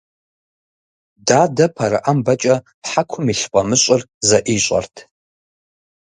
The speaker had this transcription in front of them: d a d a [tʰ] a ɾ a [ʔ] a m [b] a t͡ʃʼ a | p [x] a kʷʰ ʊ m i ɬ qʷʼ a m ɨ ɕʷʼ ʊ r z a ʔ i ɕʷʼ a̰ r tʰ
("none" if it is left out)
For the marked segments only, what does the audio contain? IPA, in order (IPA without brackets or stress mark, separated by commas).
pʰ, ʔ, b, ħ